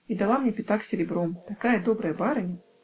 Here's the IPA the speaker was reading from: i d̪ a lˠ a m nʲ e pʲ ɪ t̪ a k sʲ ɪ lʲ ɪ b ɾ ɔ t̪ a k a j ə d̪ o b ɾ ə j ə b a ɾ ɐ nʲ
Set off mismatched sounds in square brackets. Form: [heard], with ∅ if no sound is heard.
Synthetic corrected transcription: i d̪ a lˠ a m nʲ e pʲ ɪ t̪ a k sʲ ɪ [ɾʲ] ɪ b ɾ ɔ t̪ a k a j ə d̪ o b ɾ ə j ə b a ɾ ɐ nʲ